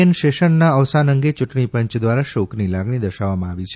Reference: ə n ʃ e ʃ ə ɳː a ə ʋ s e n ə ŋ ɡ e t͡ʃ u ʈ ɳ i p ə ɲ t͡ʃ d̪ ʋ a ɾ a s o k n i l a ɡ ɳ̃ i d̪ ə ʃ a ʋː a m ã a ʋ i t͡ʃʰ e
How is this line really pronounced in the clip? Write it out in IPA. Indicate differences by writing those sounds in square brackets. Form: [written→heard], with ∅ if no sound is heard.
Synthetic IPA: ə n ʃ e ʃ ə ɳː a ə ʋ s [e→a] n ə ŋ ɡ e t͡ʃ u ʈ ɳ i p ə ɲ t͡ʃ d̪ ʋ a ɾ a [s→ʃ] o k n i l a ɡ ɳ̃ i d̪ ə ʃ a ʋː a m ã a ʋ i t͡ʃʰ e

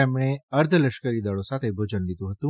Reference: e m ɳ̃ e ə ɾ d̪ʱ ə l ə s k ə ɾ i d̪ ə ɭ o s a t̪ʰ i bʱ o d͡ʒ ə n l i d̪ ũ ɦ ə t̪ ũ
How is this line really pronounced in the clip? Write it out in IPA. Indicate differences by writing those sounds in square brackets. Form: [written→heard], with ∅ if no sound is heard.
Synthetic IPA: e m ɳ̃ e ə ɾ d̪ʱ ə l ə [s→ʃ] k ə ɾ i d̪ ə ɭ o s a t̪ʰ [i→e] bʱ o d͡ʒ ə n l i d̪ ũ ɦ ə t̪ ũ

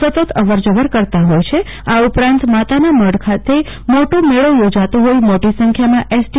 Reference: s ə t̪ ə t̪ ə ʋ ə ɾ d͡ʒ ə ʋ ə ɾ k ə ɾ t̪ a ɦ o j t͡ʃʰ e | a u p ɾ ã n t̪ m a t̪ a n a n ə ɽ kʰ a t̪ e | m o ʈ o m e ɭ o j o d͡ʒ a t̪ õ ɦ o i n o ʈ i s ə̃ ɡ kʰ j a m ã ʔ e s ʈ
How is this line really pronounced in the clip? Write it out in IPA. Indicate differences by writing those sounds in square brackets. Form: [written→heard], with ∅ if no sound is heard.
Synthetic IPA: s ə t̪ ə t̪ ə ʋ ə ɾ d͡ʒ ə ʋ ə ɾ k ə ɾ t̪ a ɦ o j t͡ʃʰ e | a u p ɾ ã n t̪ m a t̪ a n a [n→m] ə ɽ kʰ a t̪ e | m o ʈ o m e ɭ o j o d͡ʒ a t̪ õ ɦ o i [n→m] o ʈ i s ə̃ [ɡ→ŋ] kʰ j a m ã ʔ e s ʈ

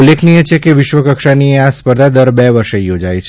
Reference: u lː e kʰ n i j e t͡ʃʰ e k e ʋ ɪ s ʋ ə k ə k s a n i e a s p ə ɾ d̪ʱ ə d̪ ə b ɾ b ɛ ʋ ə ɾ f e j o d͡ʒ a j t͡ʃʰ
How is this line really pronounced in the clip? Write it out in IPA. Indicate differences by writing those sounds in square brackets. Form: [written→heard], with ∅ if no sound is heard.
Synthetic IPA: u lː e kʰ n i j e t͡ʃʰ e k e ʋ ɪ [s→ʃ] ʋ ə k ə k [s→ʃ] a n i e a s p ə ɾ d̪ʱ [ə→a] d̪ ə [b→∅] ɾ b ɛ ʋ ə ɾ [f→ʃ] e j o d͡ʒ a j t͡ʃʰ

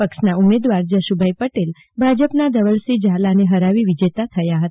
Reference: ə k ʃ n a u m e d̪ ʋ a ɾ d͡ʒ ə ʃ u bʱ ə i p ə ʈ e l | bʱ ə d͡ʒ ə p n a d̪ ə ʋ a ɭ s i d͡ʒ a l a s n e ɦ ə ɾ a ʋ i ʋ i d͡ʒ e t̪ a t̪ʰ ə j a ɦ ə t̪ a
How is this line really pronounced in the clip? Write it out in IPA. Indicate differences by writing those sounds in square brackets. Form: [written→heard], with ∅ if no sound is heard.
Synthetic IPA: ə k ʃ n a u m e d̪ ʋ a ɾ d͡ʒ ə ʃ u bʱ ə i p ə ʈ e l | bʱ [ə→a] d͡ʒ ə p n a d̪ ə ʋ [a→ə] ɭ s i d͡ʒ a l a [s→∅] n e ɦ ə ɾ a ʋ i ʋ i d͡ʒ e t̪ a t̪ʰ ə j a ɦ ə t̪ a

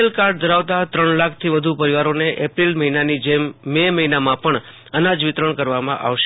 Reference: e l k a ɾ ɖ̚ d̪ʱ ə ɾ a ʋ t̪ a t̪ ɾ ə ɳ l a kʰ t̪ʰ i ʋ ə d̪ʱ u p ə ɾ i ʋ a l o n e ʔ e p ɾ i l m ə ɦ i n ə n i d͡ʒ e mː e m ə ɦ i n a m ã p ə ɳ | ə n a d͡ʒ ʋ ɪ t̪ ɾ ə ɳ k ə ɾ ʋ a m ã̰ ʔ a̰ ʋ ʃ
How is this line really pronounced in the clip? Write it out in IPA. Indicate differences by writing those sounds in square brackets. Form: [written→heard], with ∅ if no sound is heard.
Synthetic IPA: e l k a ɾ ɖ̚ d̪ʱ ə ɾ a ʋ t̪ a t̪ ɾ ə ɳ l a kʰ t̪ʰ i ʋ ə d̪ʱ u p ə ɾ i ʋ a [l→ɾ] o n e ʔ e p ɾ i l m ə ɦ i n [ə→a] n i d͡ʒ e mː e m ə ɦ i n a m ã p ə ɳ | ə n a d͡ʒ ʋ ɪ t̪ ɾ ə ɳ k ə ɾ ʋ a m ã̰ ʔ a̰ ʋ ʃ

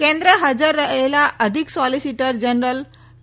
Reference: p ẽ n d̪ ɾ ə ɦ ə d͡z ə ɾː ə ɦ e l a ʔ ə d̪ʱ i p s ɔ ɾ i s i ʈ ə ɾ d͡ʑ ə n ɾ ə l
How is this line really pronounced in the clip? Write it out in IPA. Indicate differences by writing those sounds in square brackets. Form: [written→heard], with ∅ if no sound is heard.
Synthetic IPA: [p→k] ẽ n d̪ ɾ ə ɦ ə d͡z ə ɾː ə ɦ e l a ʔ ə d̪ʱ i [p→k] s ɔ [ɾ→l] i s i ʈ ə ɾ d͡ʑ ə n ɾ ə l

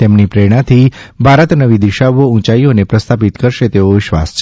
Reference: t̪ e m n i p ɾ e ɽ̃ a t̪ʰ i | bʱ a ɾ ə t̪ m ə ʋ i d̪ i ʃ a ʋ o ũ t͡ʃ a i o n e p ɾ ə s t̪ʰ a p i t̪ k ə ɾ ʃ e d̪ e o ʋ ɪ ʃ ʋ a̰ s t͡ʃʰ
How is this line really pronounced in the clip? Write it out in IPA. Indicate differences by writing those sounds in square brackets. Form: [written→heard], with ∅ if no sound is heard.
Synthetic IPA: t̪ e m n i p ɾ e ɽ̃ a t̪ʰ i | bʱ a ɾ ə t̪ [m→n] ə ʋ i d̪ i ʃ a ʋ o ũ t͡ʃ a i o n e p ɾ ə s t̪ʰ a p i t̪ k ə ɾ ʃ e [d̪→t̪] e o ʋ ɪ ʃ ʋ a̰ s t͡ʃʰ

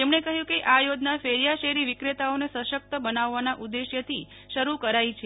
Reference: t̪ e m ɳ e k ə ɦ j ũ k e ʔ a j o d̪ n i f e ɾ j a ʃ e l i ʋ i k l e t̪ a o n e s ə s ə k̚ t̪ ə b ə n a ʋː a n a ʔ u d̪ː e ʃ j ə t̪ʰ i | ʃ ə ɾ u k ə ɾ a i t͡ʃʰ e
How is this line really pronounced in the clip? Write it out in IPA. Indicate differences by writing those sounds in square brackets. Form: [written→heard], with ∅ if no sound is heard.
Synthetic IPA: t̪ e m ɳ e k ə ɦ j ũ k e ʔ a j o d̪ n [i→a] f e ɾ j a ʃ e [l→ɾ] i ʋ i k [l→ɾ] e t̪ a o n e s ə [s→ʃ] ə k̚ t̪ ə b ə n a ʋː a n a ʔ u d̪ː e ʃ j ə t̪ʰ i | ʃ ə ɾ u k ə ɾ a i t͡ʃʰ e

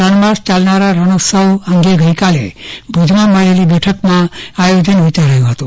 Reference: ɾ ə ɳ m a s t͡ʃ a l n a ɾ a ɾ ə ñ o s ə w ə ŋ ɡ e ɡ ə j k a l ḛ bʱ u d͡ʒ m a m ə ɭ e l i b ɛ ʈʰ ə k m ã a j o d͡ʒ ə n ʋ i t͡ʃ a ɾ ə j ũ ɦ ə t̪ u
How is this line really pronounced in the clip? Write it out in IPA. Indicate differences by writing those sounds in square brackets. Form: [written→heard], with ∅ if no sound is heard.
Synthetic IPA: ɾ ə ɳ m a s t͡ʃ a l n a ɾ a ɾ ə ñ o s ə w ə ŋ ɡ e ɡ ə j k a l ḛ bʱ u d͡ʒ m a m ə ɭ e l i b ɛ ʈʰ ə k m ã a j o d͡ʒ ə n ʋ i t͡ʃ a ɾ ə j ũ ɦ ə t̪ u

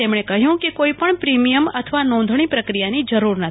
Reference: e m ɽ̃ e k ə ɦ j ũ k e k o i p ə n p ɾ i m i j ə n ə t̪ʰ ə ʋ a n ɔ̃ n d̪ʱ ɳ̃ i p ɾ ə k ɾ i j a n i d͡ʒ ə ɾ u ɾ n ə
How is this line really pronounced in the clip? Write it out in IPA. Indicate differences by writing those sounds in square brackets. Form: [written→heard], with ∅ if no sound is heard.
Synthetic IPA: e m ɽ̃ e k ə ɦ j ũ k e k o i p ə [n→ɳ] p ɾ i m i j ə [n→m] ə t̪ʰ ə ʋ a n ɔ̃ n d̪ʱ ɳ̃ i p ɾ ə k ɾ i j a n i d͡ʒ ə ɾ u ɾ n ə

